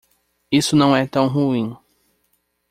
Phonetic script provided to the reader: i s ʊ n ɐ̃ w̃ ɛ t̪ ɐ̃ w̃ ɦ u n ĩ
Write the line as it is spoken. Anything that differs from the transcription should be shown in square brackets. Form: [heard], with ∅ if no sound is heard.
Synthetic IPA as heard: i s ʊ n ɐ̃ w̃ ɛ t̪ ɐ̃ w̃ ɦ u [∅] ĩ